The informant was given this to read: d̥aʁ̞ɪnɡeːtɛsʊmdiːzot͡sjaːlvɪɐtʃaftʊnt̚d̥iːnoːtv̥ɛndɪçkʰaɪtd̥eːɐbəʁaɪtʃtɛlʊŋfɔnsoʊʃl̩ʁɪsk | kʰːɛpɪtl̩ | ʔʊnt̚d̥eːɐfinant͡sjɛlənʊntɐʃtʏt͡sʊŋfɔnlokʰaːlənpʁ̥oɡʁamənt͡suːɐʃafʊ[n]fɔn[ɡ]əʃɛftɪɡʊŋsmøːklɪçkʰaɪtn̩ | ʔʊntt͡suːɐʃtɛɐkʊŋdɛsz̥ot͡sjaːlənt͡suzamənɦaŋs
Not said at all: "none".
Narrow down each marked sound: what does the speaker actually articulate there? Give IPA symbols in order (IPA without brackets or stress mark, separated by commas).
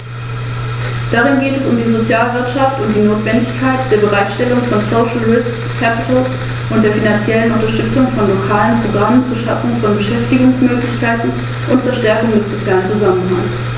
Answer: ŋ, b